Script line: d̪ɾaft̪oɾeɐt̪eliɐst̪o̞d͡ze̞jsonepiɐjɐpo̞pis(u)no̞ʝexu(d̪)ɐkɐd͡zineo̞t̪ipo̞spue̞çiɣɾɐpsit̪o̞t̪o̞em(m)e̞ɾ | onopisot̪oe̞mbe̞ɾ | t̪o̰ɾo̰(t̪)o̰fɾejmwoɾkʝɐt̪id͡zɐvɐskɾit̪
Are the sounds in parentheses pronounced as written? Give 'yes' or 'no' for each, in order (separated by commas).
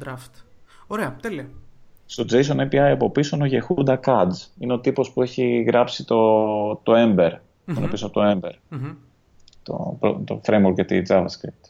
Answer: no, yes, no, yes